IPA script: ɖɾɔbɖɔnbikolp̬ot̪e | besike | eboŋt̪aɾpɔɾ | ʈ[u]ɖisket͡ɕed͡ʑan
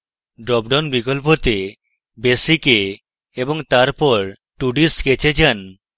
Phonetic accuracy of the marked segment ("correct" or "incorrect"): correct